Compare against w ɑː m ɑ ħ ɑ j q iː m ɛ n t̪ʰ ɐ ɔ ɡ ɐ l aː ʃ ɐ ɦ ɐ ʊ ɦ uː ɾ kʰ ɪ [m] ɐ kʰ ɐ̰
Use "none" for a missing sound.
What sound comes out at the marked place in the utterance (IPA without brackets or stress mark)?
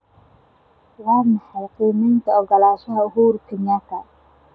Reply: ɲ